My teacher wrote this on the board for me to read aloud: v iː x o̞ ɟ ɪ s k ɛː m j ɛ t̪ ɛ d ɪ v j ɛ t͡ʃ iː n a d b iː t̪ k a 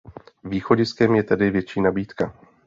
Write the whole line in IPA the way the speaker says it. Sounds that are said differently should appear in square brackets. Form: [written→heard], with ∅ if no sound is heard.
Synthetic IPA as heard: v iː x o̞ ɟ ɪ s k [ɛː→ɛ] m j ɛ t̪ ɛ d ɪ v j ɛ t͡ʃ iː n a [d→∅] b iː t̪ k a